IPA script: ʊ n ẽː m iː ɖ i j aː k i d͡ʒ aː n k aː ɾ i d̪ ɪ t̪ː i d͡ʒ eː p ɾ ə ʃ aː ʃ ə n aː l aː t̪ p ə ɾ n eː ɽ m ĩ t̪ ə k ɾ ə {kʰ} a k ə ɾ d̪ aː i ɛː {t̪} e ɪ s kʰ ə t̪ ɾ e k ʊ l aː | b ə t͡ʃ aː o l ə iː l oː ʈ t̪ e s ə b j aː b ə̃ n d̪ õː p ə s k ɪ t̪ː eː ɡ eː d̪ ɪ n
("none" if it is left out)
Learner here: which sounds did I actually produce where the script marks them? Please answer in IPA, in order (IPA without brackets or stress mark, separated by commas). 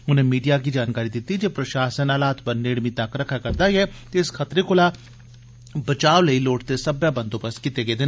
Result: kʰ, t̪